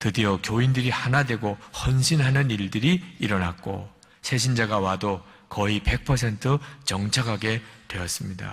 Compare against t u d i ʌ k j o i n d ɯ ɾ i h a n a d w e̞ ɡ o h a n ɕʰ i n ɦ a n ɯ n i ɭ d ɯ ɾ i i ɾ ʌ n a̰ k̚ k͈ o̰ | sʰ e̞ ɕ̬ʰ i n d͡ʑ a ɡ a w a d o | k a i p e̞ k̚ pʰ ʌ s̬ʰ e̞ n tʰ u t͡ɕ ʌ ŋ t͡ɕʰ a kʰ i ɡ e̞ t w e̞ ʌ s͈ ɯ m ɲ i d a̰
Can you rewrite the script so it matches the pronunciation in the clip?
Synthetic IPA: t ɯ d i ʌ k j o i n d ɯ ɾ i h a n a d w e̞ ɡ o h ʌ n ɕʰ i n ɦ a n ɯ n i ɭ d ɯ ɾ i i ɾ ʌ n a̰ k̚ k͈ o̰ | sʰ e̞ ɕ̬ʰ i n d͡ʑ a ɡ a w a d o | k ʌ i p e̞ k̚ pʰ ʌ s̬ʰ e̞ n tʰ ɯ t͡ɕ ʌ ŋ t͡ɕʰ a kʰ a ɡ e̞ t w e̞ ʌ s͈ ɯ m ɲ i d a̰